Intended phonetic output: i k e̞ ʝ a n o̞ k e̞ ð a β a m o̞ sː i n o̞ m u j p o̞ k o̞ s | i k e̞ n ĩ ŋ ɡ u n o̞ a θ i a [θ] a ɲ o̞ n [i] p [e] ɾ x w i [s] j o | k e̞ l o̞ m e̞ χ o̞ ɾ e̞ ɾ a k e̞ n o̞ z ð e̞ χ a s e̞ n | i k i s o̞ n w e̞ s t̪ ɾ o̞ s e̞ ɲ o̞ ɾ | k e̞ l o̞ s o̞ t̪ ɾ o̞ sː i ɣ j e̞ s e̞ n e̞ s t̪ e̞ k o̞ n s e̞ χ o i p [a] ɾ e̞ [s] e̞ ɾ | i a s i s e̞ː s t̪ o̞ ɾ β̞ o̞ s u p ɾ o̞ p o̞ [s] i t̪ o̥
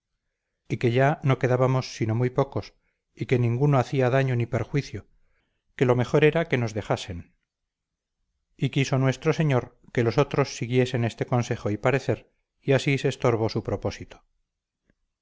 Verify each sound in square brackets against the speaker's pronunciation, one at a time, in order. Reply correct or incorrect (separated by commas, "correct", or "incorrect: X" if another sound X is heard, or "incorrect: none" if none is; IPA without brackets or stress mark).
incorrect: ð, correct, correct, incorrect: θ, correct, incorrect: θ, correct